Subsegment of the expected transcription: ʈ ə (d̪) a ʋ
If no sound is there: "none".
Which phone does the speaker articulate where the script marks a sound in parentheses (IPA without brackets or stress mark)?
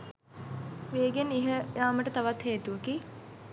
t̪